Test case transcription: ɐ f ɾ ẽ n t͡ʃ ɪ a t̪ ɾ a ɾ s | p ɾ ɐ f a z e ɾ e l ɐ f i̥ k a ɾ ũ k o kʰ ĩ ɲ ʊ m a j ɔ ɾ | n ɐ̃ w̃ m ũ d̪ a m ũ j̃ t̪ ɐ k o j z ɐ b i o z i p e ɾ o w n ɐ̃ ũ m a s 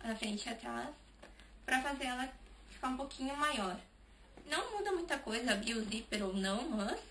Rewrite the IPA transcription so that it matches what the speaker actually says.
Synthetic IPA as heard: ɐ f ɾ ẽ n t͡ʃ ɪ a t̪ ɾ a s | p ɾ ɐ f a z e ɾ ɛ l ɐ f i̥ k a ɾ ũ p o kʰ ĩ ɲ ʊ m a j ɔ ɾ | n ɐ̃ w̃ m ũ d̪ ɐ m ũ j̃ t̪ ɐ k o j z ɐ b i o z i p e ɾ o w n ɐ̃ w̃ m ɐ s